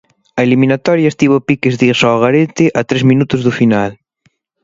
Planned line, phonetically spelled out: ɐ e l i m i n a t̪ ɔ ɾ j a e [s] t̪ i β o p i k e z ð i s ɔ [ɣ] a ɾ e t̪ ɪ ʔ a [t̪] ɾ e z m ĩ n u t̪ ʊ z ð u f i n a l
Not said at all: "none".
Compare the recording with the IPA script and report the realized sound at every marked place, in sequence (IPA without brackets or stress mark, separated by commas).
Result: s, ɣ, t̪